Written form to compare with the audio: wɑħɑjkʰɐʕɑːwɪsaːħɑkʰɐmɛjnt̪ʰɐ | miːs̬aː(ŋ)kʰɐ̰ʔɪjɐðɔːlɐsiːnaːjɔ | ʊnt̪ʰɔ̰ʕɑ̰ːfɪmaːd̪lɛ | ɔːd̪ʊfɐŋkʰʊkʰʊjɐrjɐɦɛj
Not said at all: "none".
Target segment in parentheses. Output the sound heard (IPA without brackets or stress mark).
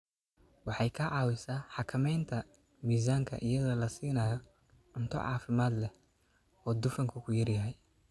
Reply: ŋ